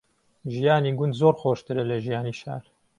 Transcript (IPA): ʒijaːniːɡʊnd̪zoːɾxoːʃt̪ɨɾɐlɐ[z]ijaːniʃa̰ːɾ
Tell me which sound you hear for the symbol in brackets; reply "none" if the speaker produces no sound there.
ʒ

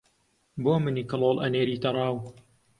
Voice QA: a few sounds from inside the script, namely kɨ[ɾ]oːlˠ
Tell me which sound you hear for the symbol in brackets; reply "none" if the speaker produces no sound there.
l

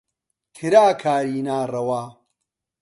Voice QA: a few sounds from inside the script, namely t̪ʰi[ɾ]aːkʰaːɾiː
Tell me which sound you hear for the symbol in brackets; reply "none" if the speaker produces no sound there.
ɾ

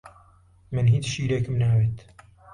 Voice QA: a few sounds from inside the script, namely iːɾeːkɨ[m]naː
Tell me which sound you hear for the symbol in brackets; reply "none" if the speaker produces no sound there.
m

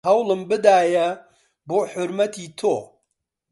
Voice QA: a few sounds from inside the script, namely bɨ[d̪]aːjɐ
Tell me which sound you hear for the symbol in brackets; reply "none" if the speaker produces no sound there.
d̪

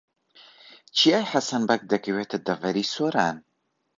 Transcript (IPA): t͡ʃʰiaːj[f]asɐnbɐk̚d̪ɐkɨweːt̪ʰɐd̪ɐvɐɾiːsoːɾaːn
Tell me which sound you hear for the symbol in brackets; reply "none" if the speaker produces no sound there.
ħ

